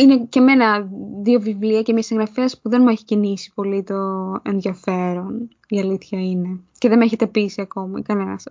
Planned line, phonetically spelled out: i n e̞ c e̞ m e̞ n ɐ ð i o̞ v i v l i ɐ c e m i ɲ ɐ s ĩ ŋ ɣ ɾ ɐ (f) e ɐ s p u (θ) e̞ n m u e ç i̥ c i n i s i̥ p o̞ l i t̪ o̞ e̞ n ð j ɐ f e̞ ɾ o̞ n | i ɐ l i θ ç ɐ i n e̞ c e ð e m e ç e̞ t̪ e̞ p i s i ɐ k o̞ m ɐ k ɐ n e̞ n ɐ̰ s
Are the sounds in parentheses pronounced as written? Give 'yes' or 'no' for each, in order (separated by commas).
yes, no